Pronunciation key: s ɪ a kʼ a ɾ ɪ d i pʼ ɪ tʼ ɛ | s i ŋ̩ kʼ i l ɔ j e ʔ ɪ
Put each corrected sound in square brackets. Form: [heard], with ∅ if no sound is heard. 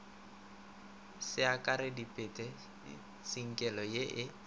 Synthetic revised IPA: s ɪ a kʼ a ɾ ɪ d i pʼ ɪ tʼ ɛ | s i ŋ̩ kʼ [ɛ] l ɔ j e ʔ ɪ